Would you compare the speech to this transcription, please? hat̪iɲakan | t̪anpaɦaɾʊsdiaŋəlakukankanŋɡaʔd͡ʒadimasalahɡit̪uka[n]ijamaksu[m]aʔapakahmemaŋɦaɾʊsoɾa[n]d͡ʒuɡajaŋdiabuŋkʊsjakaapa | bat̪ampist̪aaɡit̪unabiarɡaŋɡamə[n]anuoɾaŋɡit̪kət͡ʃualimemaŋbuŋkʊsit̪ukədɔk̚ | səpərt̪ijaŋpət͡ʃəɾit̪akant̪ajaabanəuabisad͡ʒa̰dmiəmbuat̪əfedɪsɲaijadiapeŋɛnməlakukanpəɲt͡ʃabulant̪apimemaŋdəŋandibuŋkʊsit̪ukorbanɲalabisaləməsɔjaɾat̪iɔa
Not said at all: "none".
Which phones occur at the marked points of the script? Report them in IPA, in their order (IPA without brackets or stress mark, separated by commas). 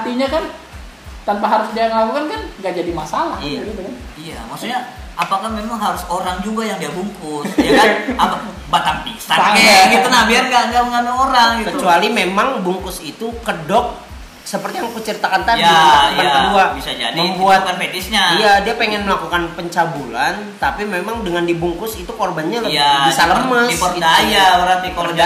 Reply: n, ɲ, ŋ, ŋ